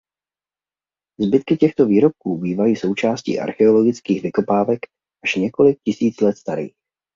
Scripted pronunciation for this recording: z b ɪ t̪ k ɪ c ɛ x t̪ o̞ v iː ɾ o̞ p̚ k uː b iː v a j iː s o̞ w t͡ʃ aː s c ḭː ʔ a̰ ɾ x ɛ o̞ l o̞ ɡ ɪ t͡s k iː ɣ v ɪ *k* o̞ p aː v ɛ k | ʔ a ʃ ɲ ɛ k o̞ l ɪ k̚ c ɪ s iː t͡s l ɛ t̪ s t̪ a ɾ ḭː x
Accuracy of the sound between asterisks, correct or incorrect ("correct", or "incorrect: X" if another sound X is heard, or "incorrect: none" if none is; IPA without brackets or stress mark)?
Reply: correct